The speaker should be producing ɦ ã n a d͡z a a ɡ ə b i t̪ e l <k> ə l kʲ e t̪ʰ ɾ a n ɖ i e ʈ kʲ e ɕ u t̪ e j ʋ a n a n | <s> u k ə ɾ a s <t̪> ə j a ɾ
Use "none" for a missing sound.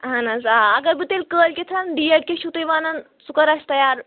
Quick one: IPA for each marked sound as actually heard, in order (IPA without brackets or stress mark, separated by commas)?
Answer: k, s, t̪